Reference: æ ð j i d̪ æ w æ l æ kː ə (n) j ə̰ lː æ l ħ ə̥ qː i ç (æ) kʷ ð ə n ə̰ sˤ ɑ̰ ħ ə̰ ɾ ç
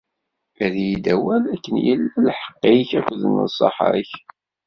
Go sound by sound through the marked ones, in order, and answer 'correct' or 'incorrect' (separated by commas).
correct, correct